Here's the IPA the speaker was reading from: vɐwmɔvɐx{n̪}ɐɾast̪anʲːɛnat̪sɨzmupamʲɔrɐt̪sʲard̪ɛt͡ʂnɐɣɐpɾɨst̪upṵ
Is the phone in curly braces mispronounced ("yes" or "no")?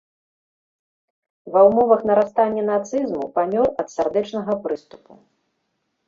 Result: no